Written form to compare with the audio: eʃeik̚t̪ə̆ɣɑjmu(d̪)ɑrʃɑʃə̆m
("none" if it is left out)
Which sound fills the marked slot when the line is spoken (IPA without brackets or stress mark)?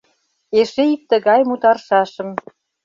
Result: t̪